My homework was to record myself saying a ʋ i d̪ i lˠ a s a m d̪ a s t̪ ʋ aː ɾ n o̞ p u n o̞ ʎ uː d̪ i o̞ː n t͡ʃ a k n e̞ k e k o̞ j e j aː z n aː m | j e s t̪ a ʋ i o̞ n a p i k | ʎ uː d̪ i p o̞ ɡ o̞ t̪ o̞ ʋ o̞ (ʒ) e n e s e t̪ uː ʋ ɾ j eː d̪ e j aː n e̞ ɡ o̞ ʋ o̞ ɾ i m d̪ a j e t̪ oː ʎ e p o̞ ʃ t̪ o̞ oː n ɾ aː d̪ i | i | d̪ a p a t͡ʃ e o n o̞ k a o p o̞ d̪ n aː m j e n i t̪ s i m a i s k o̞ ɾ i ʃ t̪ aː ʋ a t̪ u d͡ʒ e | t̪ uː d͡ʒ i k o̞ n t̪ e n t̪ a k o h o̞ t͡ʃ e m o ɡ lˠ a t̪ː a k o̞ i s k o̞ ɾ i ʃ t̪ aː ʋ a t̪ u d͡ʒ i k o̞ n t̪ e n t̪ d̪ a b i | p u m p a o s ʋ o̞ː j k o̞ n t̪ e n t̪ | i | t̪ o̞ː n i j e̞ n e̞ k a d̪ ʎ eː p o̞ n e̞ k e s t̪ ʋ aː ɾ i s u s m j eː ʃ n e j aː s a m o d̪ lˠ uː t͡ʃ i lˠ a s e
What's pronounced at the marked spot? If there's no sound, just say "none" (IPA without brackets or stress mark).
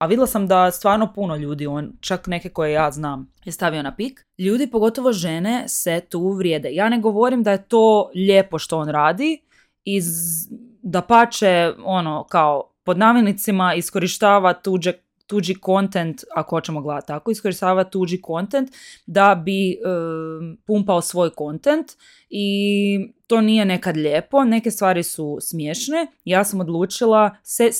ʒ